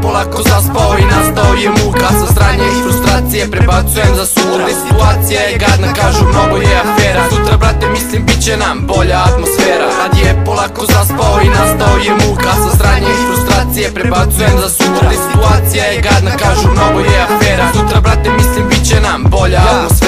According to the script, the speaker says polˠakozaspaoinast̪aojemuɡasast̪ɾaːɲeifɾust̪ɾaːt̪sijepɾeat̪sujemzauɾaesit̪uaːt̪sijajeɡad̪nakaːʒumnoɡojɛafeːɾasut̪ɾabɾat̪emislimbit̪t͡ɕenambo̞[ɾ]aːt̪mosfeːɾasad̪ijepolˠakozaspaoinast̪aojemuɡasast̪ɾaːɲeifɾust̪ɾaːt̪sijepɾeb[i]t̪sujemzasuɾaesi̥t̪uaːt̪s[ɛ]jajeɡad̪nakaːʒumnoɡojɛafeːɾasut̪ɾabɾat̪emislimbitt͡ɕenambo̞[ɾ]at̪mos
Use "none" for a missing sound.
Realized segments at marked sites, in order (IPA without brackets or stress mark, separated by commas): ʎ, a, i, ʎ